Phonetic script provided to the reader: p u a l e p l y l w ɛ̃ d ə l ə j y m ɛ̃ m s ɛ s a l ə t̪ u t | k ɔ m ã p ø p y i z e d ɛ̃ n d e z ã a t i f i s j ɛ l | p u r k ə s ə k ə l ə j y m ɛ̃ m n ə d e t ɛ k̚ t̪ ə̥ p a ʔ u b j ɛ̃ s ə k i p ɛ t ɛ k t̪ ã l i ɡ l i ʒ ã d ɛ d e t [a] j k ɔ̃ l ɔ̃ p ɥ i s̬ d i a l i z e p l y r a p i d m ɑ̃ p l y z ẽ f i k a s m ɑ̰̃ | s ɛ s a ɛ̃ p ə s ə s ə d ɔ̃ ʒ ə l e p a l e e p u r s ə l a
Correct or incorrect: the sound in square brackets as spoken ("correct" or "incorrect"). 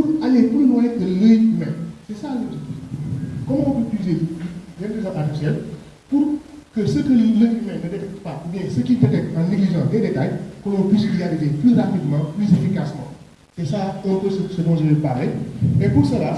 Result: correct